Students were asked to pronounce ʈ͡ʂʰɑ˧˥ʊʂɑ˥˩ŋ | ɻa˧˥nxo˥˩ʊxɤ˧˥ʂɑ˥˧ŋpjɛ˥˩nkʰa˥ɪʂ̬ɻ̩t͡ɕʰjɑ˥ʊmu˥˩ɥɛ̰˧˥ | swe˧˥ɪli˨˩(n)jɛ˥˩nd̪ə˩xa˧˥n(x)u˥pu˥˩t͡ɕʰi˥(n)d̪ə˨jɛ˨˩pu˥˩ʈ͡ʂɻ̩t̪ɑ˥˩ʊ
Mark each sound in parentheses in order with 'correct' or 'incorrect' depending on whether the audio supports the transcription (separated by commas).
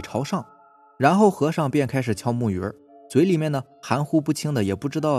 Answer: incorrect, correct, incorrect